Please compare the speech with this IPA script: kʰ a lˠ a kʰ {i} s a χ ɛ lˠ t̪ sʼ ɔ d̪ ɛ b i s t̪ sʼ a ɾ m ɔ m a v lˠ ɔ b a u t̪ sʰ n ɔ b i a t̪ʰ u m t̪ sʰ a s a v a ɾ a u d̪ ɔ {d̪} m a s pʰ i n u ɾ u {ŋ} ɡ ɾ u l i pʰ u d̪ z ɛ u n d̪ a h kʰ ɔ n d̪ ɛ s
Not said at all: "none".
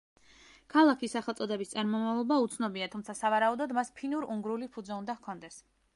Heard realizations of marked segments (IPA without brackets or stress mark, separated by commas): i, d̪, ŋ